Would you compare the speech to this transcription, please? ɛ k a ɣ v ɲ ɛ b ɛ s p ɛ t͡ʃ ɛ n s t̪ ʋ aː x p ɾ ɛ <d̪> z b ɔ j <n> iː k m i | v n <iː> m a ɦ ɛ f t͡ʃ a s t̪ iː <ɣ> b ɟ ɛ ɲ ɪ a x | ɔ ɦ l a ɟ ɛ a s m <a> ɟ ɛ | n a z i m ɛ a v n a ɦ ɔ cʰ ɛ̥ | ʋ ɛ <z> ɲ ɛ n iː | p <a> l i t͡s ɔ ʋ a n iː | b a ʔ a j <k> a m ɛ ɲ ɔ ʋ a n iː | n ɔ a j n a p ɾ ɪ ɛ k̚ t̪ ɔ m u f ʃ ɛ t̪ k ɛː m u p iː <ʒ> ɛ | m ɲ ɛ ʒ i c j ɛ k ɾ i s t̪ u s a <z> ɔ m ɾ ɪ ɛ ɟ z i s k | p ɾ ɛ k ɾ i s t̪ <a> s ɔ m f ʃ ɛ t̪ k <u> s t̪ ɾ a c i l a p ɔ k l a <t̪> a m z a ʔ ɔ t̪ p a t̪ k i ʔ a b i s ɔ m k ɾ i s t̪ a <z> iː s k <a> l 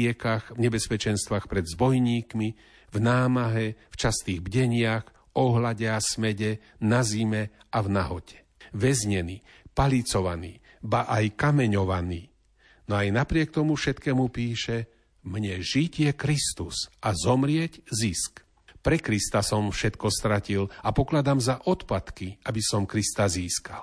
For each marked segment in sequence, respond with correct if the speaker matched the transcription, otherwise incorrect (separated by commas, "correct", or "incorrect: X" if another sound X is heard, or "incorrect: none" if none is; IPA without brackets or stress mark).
correct, incorrect: ɲ, incorrect: aː, correct, incorrect: ɛ, correct, correct, correct, incorrect: ʃ, correct, correct, incorrect: ɔ, incorrect: d̪, correct, correct